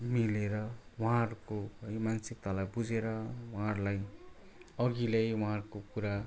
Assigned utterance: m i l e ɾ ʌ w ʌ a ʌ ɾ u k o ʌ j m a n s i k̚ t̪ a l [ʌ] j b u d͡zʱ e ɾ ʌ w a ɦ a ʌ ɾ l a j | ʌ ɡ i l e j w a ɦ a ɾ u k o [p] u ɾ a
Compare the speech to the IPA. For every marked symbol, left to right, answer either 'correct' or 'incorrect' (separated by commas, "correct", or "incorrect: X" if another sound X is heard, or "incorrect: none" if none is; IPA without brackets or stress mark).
incorrect: a, incorrect: k